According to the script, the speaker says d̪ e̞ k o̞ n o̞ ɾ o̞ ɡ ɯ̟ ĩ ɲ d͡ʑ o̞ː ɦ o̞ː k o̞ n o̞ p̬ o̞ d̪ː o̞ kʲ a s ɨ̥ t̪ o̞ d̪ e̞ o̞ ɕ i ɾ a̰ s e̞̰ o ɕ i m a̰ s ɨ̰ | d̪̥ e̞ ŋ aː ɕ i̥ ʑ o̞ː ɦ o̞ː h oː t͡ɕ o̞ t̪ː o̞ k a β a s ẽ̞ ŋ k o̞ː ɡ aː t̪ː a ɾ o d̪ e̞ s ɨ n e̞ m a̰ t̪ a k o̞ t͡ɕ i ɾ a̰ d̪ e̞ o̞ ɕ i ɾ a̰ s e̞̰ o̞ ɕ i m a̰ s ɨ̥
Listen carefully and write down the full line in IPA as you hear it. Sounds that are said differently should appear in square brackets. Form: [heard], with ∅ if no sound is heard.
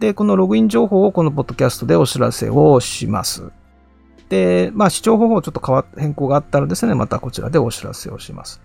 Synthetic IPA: d̪ e̞ k o̞ n o̞ ɾ o̞ ɡ ɯ̟ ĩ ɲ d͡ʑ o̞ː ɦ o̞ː k o̞ n o̞ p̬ o̞ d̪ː o̞ kʲ a s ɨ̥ t̪ o̞ d̪ e̞ o̞ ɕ i ɾ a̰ s e̞̰ o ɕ i m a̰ s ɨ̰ | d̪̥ e̞ [m] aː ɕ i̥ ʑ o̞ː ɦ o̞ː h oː t͡ɕ o̞ t̪ː o̞ k a β a [h] ẽ̞ ŋ k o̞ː ɡ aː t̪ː a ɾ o d̪ e̞ s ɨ n e̞ m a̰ t̪ a k o̞ t͡ɕ i ɾ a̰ d̪ e̞ o̞ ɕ i ɾ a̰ s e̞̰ o̞ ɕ i m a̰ s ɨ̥